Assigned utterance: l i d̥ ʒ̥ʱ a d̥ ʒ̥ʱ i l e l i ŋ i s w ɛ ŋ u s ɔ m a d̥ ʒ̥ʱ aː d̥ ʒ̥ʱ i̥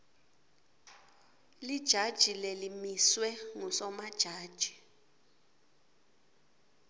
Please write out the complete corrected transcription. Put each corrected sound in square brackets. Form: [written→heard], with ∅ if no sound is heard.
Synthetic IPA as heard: l i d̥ ʒ̥ʱ a d̥ ʒ̥ʱ i l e l i [ŋ→m] i s w ɛ ŋ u s ɔ m a d̥ ʒ̥ʱ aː d̥ ʒ̥ʱ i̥